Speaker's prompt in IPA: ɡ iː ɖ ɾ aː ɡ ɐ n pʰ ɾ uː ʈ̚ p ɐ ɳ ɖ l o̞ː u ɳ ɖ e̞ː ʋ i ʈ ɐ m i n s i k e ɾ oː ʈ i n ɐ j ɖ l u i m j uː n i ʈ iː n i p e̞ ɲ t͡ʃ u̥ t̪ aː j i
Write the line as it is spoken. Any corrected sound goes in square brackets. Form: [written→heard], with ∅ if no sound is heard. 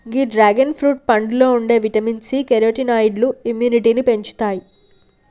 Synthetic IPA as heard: ɡ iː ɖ ɾ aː ɡ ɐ n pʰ ɾ uː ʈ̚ p ɐ ɳ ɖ l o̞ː u ɳ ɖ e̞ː ʋ i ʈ ɐ m i n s i k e ɾ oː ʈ i n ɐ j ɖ l u i m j uː n i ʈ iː n i p e̞ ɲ t͡ʃ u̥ t̪ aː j i